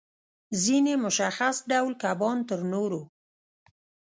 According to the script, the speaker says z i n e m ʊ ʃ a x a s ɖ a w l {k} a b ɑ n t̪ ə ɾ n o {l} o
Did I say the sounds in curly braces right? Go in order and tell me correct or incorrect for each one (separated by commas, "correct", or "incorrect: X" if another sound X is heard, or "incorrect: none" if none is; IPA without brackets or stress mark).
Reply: correct, incorrect: ɾ